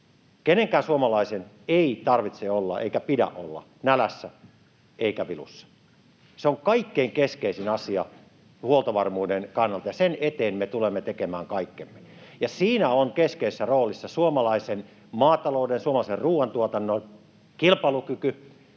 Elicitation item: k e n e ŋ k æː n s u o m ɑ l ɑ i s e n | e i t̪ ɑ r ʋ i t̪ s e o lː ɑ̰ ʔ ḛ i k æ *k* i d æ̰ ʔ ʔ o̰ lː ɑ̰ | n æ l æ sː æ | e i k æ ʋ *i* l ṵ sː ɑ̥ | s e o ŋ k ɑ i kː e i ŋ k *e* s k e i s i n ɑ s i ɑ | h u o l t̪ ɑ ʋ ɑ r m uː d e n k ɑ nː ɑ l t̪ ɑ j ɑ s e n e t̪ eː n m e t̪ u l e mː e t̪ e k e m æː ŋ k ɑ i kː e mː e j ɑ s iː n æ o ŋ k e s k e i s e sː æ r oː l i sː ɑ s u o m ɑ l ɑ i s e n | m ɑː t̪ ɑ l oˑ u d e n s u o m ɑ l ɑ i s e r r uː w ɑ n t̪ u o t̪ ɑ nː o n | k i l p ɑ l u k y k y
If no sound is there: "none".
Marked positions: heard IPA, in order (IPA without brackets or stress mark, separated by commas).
p, i, e